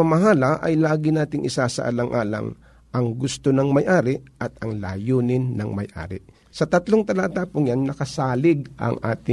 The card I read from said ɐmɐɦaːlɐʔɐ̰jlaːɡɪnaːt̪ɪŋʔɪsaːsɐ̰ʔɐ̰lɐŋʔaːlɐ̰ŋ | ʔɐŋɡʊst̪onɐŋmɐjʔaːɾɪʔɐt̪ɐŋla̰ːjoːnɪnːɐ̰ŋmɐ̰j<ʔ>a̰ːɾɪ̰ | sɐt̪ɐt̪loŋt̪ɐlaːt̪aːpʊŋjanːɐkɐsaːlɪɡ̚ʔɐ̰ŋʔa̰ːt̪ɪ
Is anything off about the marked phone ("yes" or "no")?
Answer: no